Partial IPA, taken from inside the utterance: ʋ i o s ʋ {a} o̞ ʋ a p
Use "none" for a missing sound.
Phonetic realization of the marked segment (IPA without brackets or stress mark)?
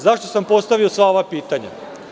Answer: a